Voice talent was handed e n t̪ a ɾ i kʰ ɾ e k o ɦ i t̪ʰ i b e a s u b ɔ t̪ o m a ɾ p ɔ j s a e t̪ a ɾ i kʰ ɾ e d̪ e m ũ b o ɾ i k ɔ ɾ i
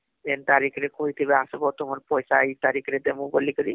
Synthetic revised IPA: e n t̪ a ɾ i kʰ ɾ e k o ɦ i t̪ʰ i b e a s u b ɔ t̪ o m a ɾ p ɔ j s a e t̪ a ɾ i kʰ ɾ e d̪ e m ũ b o l i k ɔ ɾ i